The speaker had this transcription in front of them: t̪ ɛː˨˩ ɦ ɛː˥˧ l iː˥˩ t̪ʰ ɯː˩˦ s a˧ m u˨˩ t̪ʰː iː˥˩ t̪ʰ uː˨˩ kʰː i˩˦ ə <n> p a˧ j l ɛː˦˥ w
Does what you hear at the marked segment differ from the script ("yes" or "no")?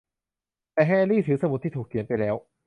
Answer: no